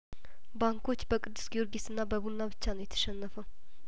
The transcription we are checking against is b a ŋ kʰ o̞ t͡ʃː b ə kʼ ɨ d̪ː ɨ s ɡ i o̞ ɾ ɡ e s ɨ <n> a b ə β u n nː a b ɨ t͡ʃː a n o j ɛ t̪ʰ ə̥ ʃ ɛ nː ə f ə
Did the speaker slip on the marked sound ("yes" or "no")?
yes